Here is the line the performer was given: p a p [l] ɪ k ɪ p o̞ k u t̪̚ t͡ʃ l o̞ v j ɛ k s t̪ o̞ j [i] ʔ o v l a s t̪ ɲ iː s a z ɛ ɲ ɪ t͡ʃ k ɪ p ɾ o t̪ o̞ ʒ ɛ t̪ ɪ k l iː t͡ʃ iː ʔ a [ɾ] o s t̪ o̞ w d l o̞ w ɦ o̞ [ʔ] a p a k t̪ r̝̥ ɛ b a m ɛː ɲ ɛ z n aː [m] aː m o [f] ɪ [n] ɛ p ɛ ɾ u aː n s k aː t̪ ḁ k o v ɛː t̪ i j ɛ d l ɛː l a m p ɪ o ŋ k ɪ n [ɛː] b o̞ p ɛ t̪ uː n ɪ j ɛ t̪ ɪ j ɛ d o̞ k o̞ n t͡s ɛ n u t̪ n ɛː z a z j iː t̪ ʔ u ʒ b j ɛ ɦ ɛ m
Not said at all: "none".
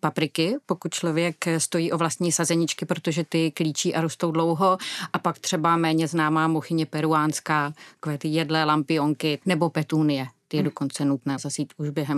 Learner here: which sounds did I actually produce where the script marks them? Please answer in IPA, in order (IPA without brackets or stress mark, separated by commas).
ɾ, iː, ɾ, ʔ, m, x, ɲ, ɛ